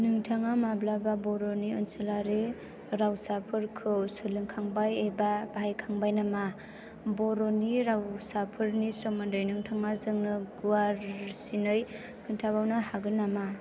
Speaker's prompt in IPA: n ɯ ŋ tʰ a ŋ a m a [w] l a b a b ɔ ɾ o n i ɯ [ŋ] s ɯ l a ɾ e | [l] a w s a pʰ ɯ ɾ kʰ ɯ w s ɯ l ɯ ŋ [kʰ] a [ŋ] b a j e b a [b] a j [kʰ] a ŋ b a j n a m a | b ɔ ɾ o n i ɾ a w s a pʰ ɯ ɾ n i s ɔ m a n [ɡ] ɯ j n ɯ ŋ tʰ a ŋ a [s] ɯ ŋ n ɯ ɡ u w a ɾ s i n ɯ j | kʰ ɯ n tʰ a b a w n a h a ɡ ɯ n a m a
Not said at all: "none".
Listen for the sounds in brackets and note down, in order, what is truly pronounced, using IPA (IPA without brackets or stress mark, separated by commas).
b, n, ɾ, kʰ, ŋ, b, kʰ, d, z